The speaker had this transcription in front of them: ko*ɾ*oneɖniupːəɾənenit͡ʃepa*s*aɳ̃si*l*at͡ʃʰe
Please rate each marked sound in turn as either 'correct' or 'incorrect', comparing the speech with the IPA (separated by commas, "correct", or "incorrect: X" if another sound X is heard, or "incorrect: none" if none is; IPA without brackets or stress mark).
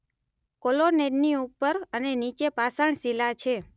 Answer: incorrect: l, correct, correct